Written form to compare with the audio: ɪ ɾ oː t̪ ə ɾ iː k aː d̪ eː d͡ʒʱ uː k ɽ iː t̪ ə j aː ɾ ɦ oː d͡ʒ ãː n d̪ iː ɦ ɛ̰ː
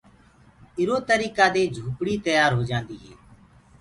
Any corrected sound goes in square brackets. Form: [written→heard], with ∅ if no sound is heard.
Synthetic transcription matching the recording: ɪ ɾ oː t̪ ə ɾ iː k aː d̪ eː d͡ʒʱ uː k ɽ iː t̪ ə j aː ɾ ɦ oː d͡ʒ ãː n d̪ iː ɦ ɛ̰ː